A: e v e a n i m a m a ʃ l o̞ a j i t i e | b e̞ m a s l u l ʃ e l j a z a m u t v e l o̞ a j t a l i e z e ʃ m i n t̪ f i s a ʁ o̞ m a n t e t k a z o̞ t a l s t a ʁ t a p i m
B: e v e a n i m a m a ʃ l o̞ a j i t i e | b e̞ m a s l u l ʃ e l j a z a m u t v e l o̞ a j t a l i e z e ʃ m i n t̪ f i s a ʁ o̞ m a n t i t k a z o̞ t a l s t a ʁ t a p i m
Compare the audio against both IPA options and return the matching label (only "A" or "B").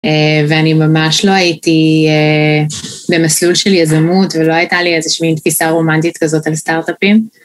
B